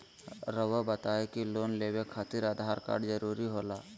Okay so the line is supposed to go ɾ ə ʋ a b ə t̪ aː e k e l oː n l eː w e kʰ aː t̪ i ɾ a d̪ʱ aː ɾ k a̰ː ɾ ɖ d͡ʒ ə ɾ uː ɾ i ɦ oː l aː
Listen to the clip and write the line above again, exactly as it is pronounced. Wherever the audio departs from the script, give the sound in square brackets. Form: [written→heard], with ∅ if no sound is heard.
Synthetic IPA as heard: ɾ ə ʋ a b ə t̪ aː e k [e→i] l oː n l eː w e kʰ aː t̪ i ɾ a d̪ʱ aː ɾ k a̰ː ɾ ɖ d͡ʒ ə ɾ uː ɾ i ɦ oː l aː